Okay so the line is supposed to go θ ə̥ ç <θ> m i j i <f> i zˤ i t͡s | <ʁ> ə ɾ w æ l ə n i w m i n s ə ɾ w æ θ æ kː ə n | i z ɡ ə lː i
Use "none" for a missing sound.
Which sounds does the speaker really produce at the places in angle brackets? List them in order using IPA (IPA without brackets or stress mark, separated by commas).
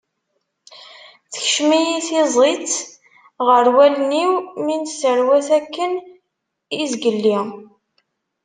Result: ʃ, θ, ʁ